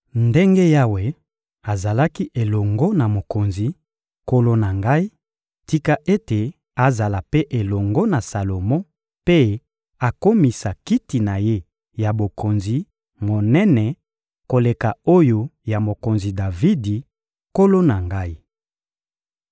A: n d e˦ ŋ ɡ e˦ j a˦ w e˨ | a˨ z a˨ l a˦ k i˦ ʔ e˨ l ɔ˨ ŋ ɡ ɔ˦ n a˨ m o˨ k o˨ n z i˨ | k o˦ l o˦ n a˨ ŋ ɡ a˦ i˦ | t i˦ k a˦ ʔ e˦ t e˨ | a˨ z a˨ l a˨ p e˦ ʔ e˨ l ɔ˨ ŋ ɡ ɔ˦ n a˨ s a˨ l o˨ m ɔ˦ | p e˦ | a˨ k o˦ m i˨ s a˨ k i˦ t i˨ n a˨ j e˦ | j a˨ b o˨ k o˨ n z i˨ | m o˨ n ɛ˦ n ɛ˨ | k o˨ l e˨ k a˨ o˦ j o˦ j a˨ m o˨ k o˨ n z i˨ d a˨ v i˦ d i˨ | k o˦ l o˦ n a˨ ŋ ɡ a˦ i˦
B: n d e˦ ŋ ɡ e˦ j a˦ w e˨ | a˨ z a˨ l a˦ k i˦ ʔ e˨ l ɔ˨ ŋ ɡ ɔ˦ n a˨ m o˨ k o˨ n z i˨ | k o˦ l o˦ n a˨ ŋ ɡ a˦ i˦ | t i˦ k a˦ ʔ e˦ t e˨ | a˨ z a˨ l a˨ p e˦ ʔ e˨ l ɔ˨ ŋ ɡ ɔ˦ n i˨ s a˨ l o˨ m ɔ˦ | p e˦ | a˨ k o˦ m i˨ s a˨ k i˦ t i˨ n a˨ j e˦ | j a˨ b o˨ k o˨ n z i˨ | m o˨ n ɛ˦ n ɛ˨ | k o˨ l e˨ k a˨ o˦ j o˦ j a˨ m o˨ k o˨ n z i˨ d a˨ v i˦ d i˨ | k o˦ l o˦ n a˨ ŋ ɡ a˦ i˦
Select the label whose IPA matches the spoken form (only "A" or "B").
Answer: A